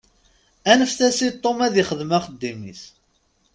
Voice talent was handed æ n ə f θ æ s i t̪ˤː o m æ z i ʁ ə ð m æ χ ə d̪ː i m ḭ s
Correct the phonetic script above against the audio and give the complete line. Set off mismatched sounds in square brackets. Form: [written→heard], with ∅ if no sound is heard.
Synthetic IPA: æ n ə f θ æ s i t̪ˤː o m æ [z→ð] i [ʁ→χ] ə ð m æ χ ə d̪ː i m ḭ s